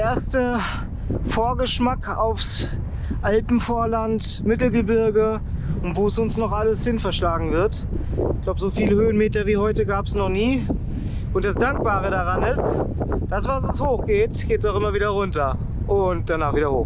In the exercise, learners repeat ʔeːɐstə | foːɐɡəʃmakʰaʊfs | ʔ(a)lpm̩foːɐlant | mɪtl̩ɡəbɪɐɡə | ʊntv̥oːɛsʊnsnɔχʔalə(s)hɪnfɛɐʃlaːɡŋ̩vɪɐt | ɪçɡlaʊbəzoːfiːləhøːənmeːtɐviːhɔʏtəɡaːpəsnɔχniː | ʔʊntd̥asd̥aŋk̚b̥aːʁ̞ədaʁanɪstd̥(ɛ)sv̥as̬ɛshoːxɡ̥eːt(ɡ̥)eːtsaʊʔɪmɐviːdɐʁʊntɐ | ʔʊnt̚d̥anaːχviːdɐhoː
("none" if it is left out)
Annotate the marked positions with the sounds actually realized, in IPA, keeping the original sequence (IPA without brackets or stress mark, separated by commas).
a, s, a, ɡ̥